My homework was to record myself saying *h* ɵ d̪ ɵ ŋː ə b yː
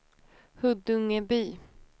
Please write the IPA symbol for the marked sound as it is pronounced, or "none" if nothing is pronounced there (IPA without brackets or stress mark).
h